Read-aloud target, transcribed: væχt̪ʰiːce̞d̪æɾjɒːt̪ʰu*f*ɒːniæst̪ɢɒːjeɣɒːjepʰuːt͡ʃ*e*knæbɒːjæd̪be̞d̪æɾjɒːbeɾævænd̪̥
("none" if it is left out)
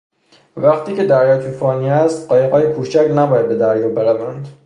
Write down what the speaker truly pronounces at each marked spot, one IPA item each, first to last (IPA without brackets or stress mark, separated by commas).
f, æ